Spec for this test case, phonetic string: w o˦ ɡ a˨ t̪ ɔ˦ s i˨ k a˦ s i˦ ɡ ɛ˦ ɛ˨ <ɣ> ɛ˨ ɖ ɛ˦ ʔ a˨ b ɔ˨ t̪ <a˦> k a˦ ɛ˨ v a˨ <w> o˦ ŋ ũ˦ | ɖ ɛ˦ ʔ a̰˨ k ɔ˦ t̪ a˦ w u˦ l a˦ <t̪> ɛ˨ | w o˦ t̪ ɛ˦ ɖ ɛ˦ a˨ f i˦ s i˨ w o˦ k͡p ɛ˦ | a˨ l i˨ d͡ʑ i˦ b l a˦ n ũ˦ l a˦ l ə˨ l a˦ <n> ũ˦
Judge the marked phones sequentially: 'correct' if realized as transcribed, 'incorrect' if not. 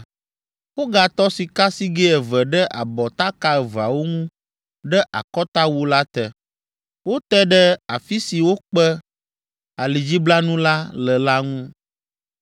incorrect, correct, correct, correct, incorrect

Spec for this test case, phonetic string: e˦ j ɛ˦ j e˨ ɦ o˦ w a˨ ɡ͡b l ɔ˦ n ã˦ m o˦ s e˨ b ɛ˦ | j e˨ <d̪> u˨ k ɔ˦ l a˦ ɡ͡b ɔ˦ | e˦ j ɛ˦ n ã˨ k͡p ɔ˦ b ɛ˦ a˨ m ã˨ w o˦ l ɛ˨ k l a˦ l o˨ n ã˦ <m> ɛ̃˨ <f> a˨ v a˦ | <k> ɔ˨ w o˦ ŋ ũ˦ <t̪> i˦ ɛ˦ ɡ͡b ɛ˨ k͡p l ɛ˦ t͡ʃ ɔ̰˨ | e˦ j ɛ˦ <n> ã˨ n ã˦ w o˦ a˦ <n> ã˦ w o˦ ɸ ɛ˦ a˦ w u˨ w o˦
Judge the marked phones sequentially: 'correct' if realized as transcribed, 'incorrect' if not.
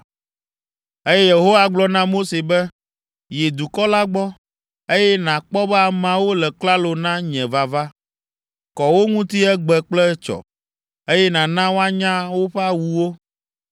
correct, incorrect, incorrect, correct, correct, correct, incorrect

